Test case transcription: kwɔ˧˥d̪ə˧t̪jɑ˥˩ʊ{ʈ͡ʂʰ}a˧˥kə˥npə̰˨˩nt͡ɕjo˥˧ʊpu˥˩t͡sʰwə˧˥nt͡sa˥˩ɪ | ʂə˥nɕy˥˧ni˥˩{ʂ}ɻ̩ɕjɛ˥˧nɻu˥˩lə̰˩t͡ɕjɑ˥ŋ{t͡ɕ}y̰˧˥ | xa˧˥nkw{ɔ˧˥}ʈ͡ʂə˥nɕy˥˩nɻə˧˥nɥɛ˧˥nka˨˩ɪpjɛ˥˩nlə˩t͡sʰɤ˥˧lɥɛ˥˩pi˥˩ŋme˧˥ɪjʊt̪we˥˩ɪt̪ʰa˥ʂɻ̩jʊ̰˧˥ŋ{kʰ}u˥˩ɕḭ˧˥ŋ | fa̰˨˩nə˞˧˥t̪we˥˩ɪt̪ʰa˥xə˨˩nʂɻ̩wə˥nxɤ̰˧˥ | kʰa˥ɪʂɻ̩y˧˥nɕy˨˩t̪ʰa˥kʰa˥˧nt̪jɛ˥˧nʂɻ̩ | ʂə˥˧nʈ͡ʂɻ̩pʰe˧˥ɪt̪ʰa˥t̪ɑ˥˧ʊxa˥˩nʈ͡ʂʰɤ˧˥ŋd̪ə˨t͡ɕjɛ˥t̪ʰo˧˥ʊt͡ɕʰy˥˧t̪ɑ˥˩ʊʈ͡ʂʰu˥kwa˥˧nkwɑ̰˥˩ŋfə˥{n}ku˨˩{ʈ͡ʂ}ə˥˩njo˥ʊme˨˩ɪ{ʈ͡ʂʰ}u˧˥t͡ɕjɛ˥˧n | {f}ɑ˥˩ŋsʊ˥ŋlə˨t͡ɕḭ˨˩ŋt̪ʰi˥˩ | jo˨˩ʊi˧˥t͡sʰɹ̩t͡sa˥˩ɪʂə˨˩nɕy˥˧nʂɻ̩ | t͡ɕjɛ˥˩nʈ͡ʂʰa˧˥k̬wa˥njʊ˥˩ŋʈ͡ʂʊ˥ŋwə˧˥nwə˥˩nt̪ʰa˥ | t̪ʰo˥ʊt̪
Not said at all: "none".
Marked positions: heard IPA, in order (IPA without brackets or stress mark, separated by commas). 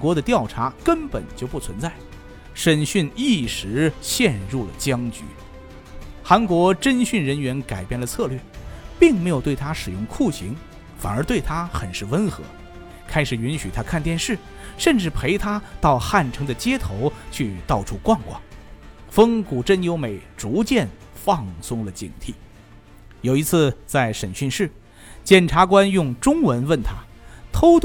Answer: ʈ͡ʂʰ, ʂ, t͡ɕ, ɔ˧˥, kʰ, ŋ, ʈ͡ʂ, ʈ͡ʂ, f